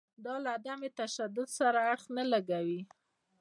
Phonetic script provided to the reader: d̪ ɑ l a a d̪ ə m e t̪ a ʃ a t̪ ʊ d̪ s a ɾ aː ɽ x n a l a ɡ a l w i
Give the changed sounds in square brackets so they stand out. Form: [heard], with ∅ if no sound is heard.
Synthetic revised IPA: d̪ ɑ l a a d̪ [a] m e t̪ a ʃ a [d̪] ʊ d̪ s a ɾ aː ɽ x n a l a ɡ a [∅] w i